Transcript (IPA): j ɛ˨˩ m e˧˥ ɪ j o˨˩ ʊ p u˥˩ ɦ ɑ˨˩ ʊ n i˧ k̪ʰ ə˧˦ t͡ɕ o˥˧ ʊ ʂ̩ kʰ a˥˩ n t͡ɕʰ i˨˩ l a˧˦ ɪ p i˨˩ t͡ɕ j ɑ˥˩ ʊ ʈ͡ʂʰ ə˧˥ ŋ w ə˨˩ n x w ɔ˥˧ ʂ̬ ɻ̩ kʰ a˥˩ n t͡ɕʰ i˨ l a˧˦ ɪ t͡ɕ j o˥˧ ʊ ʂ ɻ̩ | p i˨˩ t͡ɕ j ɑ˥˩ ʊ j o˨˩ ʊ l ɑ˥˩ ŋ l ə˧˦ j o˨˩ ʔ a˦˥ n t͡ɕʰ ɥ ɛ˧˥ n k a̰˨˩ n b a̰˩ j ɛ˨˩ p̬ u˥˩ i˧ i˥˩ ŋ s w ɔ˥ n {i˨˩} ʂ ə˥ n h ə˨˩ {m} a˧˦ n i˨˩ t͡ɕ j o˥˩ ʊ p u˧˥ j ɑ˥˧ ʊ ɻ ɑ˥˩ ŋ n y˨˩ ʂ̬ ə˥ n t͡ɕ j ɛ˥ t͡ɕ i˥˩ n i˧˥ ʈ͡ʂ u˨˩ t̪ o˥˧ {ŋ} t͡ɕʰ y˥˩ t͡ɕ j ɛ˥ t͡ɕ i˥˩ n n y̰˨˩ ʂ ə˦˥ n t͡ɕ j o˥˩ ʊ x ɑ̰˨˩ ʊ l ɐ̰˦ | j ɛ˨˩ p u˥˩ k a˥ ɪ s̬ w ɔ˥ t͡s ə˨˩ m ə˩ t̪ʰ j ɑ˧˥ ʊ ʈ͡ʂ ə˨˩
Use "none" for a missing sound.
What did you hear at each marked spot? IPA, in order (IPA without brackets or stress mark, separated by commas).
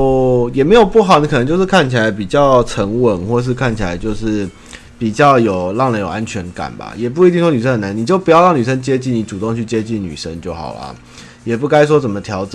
y˨˩, n, ŋ